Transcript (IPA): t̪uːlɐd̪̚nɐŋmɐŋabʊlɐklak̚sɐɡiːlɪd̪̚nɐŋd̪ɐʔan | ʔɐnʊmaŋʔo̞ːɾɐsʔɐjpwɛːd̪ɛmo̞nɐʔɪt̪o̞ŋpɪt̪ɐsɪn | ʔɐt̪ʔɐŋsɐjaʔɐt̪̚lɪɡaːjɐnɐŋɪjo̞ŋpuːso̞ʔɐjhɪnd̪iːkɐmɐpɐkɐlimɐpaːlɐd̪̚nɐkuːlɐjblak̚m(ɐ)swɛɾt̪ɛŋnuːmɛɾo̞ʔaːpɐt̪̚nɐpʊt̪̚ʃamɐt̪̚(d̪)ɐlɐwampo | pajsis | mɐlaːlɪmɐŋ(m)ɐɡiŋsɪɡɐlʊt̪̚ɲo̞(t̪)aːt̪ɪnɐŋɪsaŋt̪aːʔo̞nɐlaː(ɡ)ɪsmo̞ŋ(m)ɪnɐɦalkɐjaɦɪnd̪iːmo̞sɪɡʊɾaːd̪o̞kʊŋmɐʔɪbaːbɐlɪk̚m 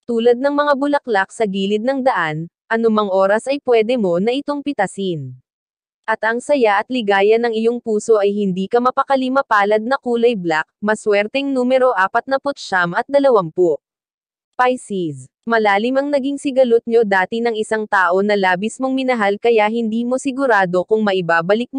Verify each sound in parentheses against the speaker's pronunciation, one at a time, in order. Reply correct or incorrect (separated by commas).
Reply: correct, correct, incorrect, incorrect, incorrect, correct